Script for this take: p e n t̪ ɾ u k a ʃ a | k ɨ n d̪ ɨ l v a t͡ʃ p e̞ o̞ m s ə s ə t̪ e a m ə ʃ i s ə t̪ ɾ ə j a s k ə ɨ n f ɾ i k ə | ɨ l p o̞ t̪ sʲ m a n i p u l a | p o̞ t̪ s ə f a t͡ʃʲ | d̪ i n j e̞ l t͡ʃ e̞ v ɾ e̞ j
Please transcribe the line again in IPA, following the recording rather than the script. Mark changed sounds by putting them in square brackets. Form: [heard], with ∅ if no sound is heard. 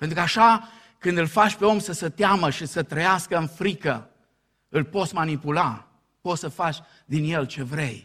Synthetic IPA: p e n t̪ ɾ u k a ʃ a | k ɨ n d̪ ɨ l [f] a t͡ʃ p e̞ o̞ m s ə s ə t̪ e a m ə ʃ i s ə t̪ ɾ ə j a s k ə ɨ n f ɾ i k ə | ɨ l p o̞ t̪ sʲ m a n i p u l a | p o̞ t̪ s ə f a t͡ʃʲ | d̪ i n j e̞ l t͡ʃ e̞ v ɾ e̞ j